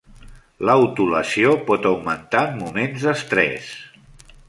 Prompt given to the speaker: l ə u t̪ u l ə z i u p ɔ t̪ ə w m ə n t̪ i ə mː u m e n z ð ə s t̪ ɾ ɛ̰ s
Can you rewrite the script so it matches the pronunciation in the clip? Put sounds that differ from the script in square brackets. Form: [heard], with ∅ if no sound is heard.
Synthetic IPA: l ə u t̪ u l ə [s] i [o] p ɔ t̪ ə w m ə n t̪ [a] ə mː u m e n z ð ə s t̪ ɾ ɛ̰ s